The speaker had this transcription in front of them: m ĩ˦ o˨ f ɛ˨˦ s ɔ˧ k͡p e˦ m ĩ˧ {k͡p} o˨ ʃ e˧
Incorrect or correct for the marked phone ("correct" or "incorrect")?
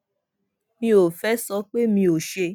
incorrect